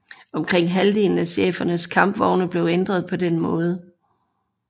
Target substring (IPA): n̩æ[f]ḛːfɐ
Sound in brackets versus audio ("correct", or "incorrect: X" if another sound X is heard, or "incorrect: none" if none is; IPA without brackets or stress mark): incorrect: ɕ